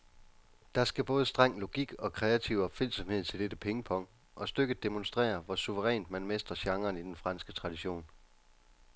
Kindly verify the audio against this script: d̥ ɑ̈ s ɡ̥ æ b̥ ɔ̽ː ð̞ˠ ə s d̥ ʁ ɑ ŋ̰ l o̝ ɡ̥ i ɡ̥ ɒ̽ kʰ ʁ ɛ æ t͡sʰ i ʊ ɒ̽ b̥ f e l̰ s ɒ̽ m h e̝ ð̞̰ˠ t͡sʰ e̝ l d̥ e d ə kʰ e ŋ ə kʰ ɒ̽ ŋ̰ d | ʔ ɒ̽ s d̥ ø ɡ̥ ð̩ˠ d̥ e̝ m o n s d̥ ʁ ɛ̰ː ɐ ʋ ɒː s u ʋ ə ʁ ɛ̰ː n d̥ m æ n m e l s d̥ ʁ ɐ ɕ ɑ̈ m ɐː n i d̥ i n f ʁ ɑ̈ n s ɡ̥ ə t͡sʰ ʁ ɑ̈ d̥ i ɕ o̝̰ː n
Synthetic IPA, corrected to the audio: d̥ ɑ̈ s ɡ̥ æ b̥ ɔ̽ː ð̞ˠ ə s d̥ ʁ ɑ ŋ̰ l o̝ ɡ̥ i ɡ̥ ɒ̽ kʰ ʁ ɛ æ t͡sʰ i ʊ ɒ̽ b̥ f e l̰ s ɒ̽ m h e̝ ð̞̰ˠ t͡sʰ e̝ l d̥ e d ə pʰ e ŋ ə pʰ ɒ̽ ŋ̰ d | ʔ ɒ̽ s d̥ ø ɡ̥ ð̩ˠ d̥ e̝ m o n s d̥ ʁ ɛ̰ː ɐ ʋ ɒ s u ʋ ə ʁ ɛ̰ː n d̥ m æ n m e s d̥ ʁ ɐ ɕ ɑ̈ ŋ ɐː n i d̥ e n f ʁ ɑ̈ n s ɡ̥ ə t͡sʰ ʁ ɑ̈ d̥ i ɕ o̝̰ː n